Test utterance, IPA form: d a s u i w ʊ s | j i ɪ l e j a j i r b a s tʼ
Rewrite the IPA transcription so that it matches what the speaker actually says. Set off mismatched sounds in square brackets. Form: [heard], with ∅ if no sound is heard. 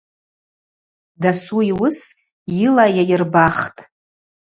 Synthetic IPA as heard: d a s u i w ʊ s | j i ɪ l [a] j a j [ɪ] r b a [χ] tʼ